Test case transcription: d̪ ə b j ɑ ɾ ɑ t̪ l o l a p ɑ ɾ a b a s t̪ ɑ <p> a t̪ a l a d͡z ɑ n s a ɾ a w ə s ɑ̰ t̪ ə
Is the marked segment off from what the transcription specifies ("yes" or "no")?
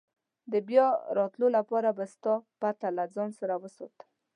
no